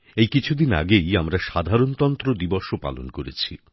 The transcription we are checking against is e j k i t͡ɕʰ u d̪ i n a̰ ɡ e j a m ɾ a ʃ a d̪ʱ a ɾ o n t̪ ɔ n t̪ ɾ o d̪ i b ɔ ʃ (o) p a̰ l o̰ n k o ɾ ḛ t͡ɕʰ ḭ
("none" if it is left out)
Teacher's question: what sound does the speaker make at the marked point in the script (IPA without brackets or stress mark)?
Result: o